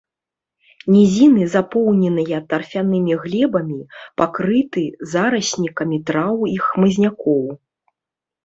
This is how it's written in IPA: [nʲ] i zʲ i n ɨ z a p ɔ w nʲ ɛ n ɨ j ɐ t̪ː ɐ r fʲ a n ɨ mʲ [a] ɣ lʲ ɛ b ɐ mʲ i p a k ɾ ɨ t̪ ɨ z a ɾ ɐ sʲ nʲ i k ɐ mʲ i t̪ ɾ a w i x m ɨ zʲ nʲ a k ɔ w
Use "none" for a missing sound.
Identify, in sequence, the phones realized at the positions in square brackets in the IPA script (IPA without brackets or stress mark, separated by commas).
nʲ, i